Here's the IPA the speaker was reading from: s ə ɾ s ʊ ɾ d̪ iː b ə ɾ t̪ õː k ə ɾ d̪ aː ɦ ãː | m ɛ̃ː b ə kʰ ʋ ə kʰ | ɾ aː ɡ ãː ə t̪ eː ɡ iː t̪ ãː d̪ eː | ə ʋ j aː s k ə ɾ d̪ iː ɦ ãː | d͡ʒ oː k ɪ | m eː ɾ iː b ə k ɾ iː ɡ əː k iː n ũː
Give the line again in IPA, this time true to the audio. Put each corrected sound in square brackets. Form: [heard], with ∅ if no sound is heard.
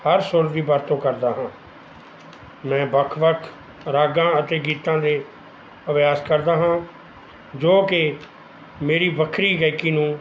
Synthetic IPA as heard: [h] ə ɾ s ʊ ɾ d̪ iː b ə ɾ t̪ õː k ə ɾ d̪ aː ɦ ãː | m ɛ̃ː b ə kʰ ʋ ə kʰ | ɾ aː ɡ ãː ə t̪ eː ɡ iː t̪ ãː d̪ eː | ə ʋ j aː s k ə ɾ d̪ [aː] ɦ ãː | d͡ʒ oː k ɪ | m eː ɾ iː b ə [kʰ] ɾ iː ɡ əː k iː n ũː